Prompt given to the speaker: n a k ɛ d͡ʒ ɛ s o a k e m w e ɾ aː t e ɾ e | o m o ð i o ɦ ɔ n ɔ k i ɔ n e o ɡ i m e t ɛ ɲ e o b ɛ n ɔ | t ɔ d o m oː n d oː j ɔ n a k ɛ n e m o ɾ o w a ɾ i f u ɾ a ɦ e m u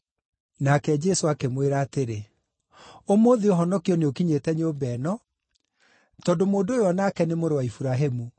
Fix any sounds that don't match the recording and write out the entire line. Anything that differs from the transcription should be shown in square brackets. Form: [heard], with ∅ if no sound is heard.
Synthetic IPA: n a k ɛ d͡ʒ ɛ s o a k e m w e ɾ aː t e ɾ e | o m o ð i o ɦ ɔ n ɔ k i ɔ n e o [k] i [ɲ] e t ɛ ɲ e o b ɛ n ɔ | t ɔ d o m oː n d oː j ɔ n a k ɛ n e m o ɾ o w a [∅] i f u ɾ a ɦ e m u